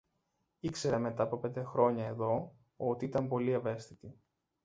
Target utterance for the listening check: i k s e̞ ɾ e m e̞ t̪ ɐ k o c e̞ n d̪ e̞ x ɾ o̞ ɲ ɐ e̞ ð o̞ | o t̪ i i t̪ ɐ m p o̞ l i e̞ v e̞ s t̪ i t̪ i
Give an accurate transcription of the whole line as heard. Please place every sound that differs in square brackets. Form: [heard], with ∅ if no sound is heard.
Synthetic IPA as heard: i k s e̞ ɾ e m e̞ t̪ ɐ [p] o [p] e̞ n d̪ e̞ x ɾ o̞ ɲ ɐ e̞ ð o̞ | o t̪ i i t̪ ɐ m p o̞ l i e̞ v e̞ s t̪ i t̪ i